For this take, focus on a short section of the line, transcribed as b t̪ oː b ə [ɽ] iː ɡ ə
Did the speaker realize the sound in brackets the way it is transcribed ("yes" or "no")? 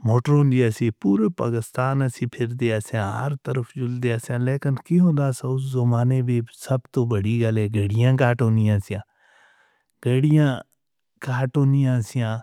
yes